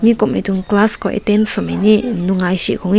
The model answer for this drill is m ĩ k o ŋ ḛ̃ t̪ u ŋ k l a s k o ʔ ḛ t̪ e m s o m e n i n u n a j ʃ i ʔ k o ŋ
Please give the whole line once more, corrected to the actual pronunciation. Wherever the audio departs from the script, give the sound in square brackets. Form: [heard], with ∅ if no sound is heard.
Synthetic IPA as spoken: m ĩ k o [m] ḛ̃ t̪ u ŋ k l a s k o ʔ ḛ t̪ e [n] s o m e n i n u [ŋ] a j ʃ i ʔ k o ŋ